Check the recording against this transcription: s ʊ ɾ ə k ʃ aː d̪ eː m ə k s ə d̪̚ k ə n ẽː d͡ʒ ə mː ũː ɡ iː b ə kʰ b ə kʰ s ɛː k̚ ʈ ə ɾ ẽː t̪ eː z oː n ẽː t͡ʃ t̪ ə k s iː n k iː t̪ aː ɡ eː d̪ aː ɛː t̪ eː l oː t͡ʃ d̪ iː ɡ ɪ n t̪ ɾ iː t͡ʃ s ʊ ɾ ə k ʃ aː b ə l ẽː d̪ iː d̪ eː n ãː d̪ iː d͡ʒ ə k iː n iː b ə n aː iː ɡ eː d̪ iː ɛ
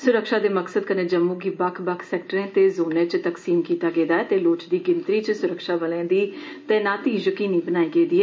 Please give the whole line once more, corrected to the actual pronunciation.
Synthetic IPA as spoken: s ʊ ɾ ə k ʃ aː d̪ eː m ə k s ə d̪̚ k ə n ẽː d͡ʒ ə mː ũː ɡ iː b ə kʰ b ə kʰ s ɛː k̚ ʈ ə ɾ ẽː t̪ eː z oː n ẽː t͡ʃ t̪ ə k s iː m k iː t̪ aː ɡ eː d̪ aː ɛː t̪ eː l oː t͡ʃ d̪ iː ɡ ɪ n t̪ ɾ iː t͡ʃ s ʊ ɾ ə k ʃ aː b ə l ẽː d̪ iː t̪ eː n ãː t̪ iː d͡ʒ ə k iː n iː b ə n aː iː ɡ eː d̪ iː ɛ

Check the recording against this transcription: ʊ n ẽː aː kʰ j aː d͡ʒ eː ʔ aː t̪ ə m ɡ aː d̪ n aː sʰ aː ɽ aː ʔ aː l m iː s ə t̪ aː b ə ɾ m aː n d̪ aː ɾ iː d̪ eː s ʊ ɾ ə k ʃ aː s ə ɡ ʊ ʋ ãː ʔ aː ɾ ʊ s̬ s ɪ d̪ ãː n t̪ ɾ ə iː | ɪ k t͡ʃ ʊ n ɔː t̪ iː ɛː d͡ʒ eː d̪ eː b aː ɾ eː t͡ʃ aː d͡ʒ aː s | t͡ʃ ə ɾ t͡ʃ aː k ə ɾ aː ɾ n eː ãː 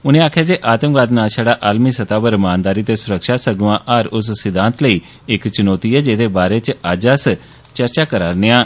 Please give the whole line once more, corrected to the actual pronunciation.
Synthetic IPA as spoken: ʊ n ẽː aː kʰ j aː d͡ʒ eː ʔ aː t̪ ə m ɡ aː d̪ n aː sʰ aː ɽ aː ʔ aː l m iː s ə t̪ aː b ə ɾ m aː n d̪ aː ɾ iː t̪ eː s ʊ ɾ ə k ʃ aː s ə ɡ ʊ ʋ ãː ʔ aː ɾ ʊ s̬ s ɪ d̪ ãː n t̪ l ə iː | ɪ k t͡ʃ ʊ n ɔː t̪ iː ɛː d͡ʒ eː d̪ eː b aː ɾ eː t͡ʃ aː d͡ʒ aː s | t͡ʃ ə ɾ t͡ʃ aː k ə ɾ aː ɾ n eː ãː

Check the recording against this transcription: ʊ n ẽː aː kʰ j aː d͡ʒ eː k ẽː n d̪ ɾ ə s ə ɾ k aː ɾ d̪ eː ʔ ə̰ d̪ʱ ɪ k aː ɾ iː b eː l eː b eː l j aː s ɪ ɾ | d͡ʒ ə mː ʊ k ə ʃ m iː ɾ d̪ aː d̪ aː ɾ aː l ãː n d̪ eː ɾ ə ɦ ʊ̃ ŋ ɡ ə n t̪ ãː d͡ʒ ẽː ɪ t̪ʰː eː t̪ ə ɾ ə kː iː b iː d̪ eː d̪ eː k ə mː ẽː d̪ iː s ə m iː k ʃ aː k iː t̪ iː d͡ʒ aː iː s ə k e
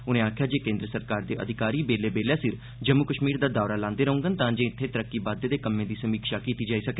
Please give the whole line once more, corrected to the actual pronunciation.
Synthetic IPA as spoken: ʊ n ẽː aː kʰ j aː d͡ʒ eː k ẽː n d̪ ɾ ə s ə ɾ k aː ɾ d̪ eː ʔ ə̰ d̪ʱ ɪ k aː ɾ iː b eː l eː b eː l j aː s ɪ ɾ | d͡ʒ ə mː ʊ k ə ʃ m iː ɾ d̪ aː d̪ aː ɾ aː l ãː n d̪ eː ɾ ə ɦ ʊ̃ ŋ ɡ ə n t̪ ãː d͡ʒ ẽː ɪ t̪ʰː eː t̪ ə ɾ ə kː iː b aː d̪ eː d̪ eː k ə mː ẽː d̪ iː s ə m iː k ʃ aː k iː t̪ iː d͡ʒ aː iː s ə k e

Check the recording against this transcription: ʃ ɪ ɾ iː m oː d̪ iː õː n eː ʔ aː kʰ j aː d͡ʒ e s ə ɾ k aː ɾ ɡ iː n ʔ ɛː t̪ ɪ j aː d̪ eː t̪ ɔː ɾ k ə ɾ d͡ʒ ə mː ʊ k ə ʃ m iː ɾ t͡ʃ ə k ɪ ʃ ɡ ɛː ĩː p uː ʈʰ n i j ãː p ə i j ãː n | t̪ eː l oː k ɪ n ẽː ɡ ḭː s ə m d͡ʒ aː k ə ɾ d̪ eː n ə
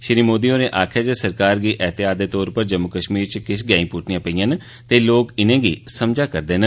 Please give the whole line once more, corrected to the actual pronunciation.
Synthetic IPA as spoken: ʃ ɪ ɾ iː m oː d̪ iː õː n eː ʔ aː kʰ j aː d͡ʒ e s ə ɾ k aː ɾ ɡ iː ʔ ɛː t̪ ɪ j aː d̪ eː t̪ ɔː ɾ p ə ɾ d͡ʒ ə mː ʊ k ə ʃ m iː ɾ t͡ʃ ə k ɪ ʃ ɡ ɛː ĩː p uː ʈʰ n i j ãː p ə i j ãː n | t̪ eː l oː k ɪ n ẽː ɡ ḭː s ə m d͡ʒ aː k ə ɾ d̪ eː n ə

